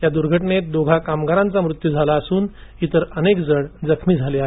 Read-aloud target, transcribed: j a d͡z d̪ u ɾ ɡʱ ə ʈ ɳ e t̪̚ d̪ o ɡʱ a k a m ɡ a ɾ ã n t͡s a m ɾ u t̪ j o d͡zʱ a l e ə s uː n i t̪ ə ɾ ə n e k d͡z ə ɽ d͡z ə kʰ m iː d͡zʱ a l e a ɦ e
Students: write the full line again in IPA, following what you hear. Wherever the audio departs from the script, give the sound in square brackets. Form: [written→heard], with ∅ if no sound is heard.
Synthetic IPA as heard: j a [d͡z→∅] d̪ u ɾ ɡʱ ə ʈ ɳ e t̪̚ d̪ o ɡʱ a k a m ɡ a ɾ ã n t͡s a m ɾ u t̪ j [o→u] d͡zʱ a l [e→a] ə s uː n i t̪ ə ɾ ə n e k d͡z ə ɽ d͡z ə kʰ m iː d͡zʱ a l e a ɦ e